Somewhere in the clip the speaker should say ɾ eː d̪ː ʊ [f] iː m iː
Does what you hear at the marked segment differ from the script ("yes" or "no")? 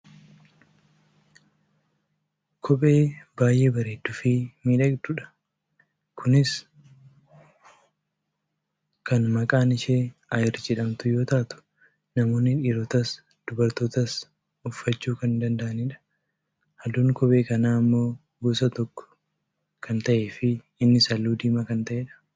no